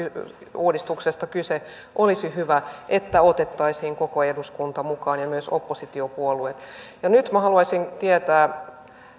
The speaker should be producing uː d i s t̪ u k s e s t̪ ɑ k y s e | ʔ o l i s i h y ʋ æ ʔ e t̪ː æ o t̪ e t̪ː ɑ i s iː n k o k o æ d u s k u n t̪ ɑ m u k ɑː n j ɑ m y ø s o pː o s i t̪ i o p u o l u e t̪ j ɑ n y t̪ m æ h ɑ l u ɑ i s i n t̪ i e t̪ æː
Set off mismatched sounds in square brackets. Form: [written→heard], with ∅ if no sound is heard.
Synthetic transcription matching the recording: uː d i s t̪ u k s e s t̪ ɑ k y s e | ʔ o l i s i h y ʋ æ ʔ e t̪ː æ o t̪ e t̪ː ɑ i s iː [n→ŋ] k o k o [æ→e] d u s k u n t̪ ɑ m u k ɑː n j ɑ m y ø s o pː o s i t̪ i o p u o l u e t̪ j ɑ n y t̪ m æ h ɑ l u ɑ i s i n t̪ i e t̪ æː